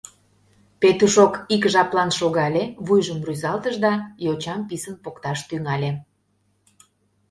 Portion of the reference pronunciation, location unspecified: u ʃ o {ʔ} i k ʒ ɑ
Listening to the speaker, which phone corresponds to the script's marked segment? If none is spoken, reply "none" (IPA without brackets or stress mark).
k